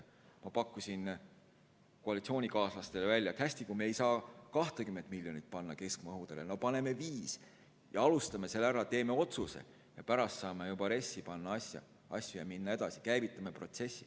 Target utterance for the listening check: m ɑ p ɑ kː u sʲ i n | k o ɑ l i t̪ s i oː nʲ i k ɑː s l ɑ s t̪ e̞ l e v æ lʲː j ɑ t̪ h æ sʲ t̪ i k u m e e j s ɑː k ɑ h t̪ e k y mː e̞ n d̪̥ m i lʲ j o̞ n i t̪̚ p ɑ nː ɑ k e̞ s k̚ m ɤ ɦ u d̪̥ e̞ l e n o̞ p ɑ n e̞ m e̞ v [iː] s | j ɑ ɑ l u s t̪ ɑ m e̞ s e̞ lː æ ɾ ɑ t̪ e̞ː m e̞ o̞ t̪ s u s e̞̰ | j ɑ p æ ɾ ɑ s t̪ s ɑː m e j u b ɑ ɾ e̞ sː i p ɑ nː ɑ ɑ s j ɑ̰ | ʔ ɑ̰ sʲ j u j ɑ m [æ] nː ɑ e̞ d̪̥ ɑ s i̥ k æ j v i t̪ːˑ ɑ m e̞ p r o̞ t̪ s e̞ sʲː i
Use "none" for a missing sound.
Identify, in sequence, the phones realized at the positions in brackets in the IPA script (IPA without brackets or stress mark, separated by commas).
iː, i